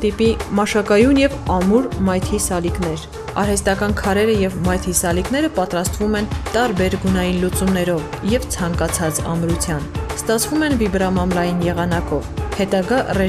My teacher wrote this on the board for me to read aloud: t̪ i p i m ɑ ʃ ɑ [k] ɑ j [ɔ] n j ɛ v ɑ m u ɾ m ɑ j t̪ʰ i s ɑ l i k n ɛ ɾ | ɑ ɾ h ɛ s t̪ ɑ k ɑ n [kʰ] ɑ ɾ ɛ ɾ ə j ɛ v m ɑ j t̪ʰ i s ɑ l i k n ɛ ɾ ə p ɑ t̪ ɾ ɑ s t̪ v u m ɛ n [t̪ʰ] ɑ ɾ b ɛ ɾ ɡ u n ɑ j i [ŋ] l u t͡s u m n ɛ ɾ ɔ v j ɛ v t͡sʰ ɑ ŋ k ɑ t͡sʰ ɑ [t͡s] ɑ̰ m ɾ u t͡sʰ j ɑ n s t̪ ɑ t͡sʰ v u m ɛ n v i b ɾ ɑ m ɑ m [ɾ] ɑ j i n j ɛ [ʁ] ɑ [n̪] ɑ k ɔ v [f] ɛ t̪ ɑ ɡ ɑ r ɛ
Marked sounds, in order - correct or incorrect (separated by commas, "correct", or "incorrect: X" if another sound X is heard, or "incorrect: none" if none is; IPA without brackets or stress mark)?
correct, incorrect: u, correct, incorrect: t̪, incorrect: n, correct, incorrect: l, correct, correct, incorrect: h